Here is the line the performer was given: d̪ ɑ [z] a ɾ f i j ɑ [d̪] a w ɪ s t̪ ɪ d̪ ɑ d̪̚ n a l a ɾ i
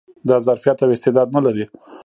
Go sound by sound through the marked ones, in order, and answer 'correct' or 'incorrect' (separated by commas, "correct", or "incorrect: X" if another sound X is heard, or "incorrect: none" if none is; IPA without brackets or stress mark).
correct, incorrect: t̪